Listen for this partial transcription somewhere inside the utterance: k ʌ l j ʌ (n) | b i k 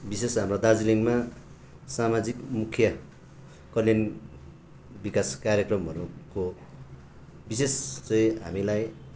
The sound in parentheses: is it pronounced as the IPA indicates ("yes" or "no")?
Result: yes